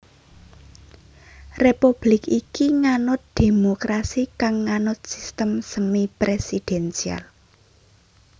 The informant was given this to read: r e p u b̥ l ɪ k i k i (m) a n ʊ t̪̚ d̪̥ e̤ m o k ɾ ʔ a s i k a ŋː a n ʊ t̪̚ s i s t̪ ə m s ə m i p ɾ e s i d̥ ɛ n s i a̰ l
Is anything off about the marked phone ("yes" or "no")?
yes